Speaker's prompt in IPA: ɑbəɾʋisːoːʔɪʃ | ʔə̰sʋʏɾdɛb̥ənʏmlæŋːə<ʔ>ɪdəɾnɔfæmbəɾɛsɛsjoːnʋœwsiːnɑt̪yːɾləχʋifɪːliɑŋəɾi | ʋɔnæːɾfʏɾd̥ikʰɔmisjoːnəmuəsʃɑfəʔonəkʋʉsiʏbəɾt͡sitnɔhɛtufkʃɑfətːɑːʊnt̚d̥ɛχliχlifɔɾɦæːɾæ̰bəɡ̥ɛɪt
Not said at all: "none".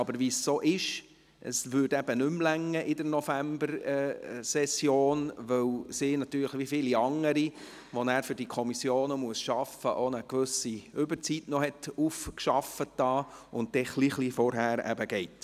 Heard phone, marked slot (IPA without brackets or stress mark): ʔ